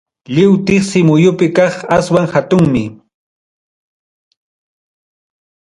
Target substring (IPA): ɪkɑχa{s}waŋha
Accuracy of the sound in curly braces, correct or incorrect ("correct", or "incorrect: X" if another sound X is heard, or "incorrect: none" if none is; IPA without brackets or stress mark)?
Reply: correct